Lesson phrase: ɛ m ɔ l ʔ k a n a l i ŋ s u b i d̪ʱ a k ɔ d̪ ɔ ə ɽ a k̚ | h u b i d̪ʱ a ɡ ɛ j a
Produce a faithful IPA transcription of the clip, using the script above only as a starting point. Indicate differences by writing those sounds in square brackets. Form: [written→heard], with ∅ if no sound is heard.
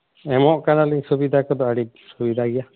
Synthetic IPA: ɛ m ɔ [l→∅] ʔ k a n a l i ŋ s u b i d̪ʱ a k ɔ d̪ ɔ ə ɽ [a→i] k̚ | [h→s] u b i d̪ʱ a ɡ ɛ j a